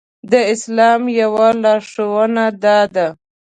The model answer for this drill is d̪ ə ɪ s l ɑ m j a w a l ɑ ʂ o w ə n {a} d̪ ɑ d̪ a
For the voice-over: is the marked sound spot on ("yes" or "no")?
yes